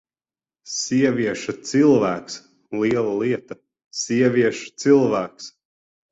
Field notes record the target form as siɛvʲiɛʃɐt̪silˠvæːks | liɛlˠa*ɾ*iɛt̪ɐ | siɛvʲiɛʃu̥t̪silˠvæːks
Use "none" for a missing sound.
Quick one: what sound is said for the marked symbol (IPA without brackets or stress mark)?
l